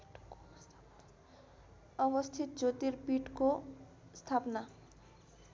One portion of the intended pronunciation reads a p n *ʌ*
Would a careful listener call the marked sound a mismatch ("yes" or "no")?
yes